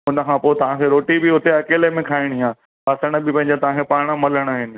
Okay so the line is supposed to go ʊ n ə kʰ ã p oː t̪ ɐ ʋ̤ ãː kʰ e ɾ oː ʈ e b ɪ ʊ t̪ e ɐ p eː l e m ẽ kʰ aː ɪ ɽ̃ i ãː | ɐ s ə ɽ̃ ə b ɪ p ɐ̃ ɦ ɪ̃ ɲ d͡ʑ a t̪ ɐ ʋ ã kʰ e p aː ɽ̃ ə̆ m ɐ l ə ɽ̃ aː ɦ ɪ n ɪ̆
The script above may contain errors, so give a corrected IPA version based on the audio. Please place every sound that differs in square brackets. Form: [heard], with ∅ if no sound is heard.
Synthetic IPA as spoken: ʊ n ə kʰ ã p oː t̪ ɐ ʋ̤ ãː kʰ e ɾ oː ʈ [i] b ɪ ʊ t̪ e ɐ [k] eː l e m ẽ kʰ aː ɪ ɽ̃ i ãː | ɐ s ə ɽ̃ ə b ɪ p ɐ̃ ɦ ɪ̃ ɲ d͡ʑ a t̪ ɐ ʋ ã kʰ e p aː ɽ̃ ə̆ m ɐ l ə ɽ̃ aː ɦ ɪ n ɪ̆